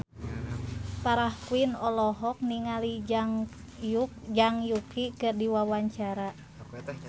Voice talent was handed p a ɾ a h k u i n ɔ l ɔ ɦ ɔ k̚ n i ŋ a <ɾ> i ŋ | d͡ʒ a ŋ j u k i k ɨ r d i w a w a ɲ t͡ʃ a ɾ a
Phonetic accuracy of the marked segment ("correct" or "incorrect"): incorrect